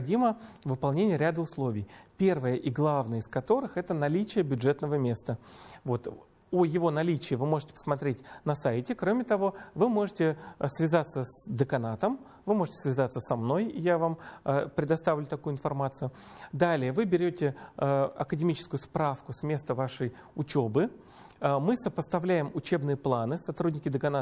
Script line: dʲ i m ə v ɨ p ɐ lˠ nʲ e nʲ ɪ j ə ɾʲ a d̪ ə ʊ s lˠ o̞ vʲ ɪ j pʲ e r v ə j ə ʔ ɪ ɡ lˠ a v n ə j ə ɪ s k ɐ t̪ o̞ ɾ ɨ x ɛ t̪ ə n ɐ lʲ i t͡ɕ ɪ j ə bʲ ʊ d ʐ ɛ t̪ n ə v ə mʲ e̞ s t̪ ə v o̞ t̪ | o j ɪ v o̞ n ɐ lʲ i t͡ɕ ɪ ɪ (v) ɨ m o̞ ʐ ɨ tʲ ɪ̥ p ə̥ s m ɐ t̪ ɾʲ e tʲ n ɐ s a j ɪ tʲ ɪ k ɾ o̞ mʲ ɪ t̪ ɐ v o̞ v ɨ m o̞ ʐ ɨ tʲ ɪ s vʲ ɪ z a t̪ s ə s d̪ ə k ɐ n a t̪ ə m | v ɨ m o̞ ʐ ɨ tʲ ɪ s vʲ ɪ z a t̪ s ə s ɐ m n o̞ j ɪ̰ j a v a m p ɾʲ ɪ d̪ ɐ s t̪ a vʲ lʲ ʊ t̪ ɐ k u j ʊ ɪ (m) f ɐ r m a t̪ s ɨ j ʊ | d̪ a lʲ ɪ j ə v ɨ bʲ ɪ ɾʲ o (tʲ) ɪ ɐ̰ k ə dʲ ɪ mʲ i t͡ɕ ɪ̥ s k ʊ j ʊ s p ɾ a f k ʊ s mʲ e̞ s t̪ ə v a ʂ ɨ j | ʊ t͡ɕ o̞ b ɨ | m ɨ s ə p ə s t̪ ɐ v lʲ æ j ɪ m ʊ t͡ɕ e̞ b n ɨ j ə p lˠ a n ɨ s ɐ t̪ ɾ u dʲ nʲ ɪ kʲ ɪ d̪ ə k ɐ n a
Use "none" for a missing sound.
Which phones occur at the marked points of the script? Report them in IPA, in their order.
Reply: v, n, tʲ

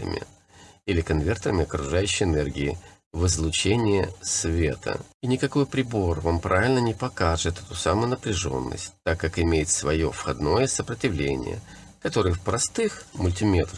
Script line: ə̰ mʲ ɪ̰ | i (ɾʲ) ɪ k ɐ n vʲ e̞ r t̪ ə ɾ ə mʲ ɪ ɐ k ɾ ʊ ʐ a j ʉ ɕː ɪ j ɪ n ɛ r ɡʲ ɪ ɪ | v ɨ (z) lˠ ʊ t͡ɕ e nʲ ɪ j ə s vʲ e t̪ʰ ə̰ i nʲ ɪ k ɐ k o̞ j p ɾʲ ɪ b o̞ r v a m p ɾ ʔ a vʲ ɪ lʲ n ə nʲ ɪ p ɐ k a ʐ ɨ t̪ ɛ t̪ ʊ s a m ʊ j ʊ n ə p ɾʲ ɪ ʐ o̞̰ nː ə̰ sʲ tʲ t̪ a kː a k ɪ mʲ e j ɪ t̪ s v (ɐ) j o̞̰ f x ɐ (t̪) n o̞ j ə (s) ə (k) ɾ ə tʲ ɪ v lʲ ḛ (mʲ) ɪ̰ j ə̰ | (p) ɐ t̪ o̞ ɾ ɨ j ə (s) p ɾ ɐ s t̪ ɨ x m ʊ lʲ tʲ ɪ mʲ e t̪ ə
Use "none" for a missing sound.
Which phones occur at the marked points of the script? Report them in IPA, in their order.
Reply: lʲ, z, ɐ, d̪, s, p, nʲ, k, f

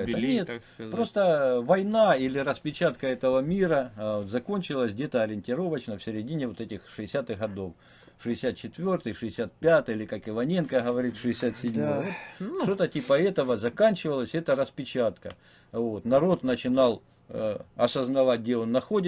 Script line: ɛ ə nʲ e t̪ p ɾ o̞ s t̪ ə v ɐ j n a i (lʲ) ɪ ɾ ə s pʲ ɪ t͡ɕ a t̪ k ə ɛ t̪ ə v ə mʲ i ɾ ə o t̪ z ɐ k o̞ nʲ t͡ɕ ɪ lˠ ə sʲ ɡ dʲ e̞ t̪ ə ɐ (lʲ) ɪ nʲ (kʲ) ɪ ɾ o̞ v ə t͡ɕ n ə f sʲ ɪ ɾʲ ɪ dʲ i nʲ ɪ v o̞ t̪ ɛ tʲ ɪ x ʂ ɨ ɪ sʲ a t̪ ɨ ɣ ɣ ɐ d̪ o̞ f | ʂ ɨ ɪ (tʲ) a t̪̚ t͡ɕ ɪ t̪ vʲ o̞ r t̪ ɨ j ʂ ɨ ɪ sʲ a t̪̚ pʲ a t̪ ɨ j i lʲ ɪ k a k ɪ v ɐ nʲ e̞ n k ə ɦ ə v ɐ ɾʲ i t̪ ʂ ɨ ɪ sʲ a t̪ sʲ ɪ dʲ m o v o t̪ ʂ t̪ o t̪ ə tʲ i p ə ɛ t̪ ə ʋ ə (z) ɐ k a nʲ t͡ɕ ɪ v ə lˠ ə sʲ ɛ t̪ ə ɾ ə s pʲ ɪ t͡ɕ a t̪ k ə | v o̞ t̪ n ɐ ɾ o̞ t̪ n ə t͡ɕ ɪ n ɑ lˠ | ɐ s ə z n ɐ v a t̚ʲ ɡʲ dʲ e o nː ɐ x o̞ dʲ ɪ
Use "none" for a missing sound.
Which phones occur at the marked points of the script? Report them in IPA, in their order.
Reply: lʲ, ɾʲ, tʲ, sʲ, z

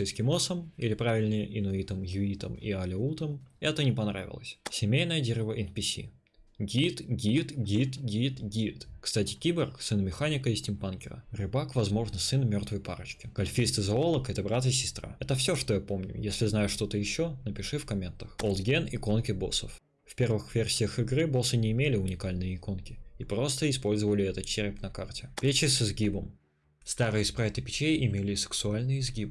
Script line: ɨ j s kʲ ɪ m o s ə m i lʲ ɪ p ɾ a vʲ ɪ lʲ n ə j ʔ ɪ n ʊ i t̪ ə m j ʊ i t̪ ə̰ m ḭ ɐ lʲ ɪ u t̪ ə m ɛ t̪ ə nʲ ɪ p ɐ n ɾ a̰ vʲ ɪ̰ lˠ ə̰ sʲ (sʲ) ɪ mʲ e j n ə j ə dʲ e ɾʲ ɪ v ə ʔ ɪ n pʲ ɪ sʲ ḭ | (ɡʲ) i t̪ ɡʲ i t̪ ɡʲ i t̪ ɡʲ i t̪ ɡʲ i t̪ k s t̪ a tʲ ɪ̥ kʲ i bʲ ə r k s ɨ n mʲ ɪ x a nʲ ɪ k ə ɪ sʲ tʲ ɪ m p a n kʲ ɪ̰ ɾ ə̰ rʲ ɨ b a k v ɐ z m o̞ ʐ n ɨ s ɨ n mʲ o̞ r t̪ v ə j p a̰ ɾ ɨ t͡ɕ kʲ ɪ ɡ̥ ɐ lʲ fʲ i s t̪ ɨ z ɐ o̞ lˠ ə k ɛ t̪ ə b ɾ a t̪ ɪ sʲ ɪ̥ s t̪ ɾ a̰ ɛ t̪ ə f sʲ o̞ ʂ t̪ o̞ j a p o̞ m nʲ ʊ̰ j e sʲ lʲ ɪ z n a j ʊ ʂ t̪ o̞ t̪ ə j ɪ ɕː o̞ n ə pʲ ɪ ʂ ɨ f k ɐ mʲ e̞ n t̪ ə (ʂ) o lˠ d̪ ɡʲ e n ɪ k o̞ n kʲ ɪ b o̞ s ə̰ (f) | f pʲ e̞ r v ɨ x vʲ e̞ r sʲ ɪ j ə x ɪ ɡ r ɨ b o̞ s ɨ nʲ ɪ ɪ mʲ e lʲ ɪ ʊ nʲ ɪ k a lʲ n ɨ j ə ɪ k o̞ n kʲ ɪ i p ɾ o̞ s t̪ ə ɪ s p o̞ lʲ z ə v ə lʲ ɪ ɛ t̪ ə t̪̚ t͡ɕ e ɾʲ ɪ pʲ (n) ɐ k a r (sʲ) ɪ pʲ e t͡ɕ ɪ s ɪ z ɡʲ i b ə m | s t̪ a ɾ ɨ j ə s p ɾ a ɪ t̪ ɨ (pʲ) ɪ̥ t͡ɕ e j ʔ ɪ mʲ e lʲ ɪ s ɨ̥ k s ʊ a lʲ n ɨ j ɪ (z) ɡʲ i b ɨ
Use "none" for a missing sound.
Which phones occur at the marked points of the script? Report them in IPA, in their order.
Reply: sʲ, ɡʲ, x, f, n, tʲ, pʲ, z

